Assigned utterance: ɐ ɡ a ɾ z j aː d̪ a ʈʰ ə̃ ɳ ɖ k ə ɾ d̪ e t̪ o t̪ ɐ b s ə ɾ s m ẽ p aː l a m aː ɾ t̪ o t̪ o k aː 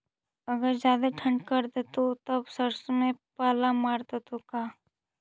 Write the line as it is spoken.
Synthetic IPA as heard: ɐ ɡ ə ɾ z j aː d̪ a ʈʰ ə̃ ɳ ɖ k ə ɾ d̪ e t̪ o t̪ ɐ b s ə ɾ s m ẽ p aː l a m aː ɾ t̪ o t̪ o k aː

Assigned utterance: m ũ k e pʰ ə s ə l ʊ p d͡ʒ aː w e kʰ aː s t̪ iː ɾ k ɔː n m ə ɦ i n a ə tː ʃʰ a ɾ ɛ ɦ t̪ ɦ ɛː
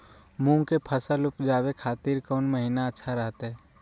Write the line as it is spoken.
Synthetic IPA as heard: m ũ k e pʰ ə s ə l ʊ p d͡ʒ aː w e kʰ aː t̪ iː ɾ k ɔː n m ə ɦ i n a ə tː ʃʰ a ɾ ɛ ɦ t̪ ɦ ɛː

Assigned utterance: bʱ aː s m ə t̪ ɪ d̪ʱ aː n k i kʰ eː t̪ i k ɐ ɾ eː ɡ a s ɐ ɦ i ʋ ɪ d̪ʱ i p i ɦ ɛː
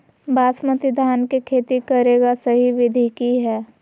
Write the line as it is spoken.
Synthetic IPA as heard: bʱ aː s m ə t̪ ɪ d̪ʱ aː n k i kʰ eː t̪ i k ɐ ɾ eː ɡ a s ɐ ɦ i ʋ ɪ d̪ʱ i k i ɦ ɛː

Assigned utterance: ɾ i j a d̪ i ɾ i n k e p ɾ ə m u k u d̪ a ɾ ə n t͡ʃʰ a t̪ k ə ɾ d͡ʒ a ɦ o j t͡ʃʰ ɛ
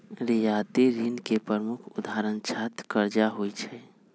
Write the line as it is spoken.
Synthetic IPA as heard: ɾ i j a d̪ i ɾ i n k e p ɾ ə m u kʰ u d̪ a ɾ ə n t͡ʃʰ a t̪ k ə ɾ d͡ʒ a ɦ o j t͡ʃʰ ɛ

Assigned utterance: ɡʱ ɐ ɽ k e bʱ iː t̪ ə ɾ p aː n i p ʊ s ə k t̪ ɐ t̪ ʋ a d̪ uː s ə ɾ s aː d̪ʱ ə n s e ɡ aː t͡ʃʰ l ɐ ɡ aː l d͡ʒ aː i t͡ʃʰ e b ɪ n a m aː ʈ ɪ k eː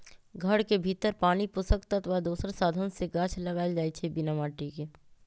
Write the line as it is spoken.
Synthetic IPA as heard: ɡʱ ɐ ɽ k e bʱ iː t̪ ə ɾ p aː n i p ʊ s ə k t̪ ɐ t̪ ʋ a d̪ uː s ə ɾ s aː d̪ʱ ə n s e ɡ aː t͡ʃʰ l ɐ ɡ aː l d͡ʒ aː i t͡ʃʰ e b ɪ n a m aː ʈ i k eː

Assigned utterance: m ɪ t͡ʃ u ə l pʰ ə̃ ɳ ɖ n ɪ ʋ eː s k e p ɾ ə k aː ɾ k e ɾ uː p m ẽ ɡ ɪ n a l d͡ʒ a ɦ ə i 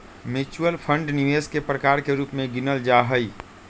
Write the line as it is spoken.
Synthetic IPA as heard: m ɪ t͡ʃ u ə l pʰ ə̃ ɳ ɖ n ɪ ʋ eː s k e p ɾ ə k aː ɾ k e ɾ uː p m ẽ ɡ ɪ n ə l d͡ʒ a ɦ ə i

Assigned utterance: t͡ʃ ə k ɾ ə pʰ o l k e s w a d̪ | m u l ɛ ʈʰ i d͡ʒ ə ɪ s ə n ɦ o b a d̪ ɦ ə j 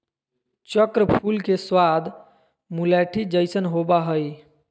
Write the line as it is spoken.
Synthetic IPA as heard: t͡ʃ ə k ɾ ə pʰ u l k e s w a d̪ | m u l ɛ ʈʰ i d͡ʒ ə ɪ s ə n ɦ o b a ɦ ə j

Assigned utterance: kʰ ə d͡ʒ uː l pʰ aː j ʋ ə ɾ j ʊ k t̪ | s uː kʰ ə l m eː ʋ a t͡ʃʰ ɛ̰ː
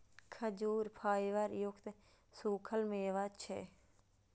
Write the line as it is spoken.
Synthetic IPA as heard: kʰ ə d͡ʒ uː ɾ pʰ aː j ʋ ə ɾ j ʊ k t̪ | s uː kʰ ə l m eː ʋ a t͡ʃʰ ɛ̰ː

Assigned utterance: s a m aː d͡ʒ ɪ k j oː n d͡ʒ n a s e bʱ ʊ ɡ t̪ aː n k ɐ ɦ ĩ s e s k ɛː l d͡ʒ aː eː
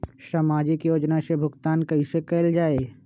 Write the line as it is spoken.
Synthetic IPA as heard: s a m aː d͡ʒ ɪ k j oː d͡ʒ n a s e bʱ ʊ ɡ t̪ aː n k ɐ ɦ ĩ s e k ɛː l d͡ʒ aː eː

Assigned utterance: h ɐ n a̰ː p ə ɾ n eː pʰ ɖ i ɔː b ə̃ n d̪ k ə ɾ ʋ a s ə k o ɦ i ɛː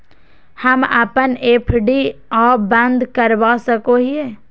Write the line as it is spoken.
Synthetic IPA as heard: h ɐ m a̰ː p ə n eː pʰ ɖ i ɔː b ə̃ n d̪ k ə ɾ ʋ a s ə k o ɦ i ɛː

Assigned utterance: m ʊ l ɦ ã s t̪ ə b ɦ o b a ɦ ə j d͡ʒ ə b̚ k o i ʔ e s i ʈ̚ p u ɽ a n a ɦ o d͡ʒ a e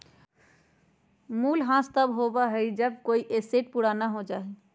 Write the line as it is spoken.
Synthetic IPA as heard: m u l ɦ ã s t̪ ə b ɦ o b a ɦ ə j d͡ʒ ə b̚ k o i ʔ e s e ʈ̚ p u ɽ a n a ɦ o d͡ʒ a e

